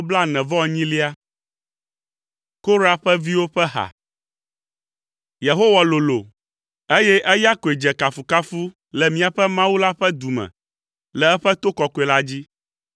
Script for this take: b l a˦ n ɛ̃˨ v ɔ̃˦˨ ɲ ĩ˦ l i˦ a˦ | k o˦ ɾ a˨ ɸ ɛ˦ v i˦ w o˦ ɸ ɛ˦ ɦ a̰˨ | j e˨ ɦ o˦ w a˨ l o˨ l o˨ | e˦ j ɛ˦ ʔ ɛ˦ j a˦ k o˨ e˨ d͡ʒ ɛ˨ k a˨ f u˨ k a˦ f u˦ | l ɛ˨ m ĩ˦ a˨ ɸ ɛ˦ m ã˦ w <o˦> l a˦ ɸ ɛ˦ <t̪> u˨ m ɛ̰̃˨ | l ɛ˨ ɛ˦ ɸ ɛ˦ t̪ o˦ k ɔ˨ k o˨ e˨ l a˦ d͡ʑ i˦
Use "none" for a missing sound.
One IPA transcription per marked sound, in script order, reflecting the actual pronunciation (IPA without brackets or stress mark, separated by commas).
u˦, d̪